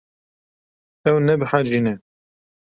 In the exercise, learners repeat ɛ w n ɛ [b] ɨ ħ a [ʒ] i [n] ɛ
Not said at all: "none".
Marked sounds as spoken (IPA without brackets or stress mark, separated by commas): b, d͡ʒ, n